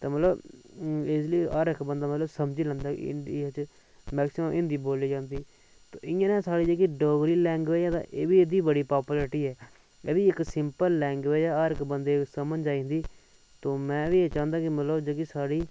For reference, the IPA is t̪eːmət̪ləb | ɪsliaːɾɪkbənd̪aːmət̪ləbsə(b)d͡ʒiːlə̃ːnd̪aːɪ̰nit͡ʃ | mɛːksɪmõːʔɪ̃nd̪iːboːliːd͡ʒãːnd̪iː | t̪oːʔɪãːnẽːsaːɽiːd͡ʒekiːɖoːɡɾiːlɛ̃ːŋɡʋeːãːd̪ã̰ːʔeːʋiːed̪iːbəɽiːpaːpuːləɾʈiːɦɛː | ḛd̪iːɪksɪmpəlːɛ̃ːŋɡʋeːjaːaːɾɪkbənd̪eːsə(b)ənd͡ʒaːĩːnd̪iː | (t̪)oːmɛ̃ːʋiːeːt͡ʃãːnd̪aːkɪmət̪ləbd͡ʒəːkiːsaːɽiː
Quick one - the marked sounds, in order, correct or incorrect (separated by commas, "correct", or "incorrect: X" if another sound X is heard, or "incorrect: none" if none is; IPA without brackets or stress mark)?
incorrect: m, incorrect: m, correct